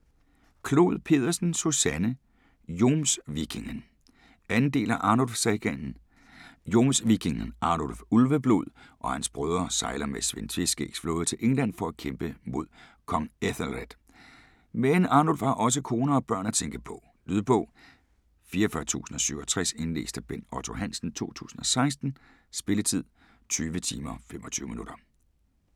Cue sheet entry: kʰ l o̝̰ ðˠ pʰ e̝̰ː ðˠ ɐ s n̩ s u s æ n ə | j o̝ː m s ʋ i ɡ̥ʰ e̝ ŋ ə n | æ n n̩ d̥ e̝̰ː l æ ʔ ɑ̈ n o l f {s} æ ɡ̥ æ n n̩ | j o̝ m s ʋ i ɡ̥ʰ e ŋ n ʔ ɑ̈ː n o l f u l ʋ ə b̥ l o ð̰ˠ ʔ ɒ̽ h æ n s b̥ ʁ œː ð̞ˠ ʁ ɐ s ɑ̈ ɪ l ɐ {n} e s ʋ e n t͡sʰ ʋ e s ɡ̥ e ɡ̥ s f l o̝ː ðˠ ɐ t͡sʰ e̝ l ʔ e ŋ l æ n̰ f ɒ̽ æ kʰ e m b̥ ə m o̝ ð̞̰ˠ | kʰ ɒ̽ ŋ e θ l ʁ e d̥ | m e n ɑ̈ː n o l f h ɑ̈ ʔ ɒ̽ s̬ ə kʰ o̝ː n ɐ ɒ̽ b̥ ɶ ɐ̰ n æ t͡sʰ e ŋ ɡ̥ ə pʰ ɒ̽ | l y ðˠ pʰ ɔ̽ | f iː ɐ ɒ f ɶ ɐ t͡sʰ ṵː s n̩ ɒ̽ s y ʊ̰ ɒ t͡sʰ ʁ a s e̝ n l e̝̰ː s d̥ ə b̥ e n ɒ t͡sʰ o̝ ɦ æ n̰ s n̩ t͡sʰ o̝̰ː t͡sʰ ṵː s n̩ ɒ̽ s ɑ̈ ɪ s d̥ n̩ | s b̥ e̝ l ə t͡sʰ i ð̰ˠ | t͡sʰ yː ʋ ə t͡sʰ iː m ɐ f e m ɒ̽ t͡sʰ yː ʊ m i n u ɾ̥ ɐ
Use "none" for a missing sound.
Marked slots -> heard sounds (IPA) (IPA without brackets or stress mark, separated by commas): s, m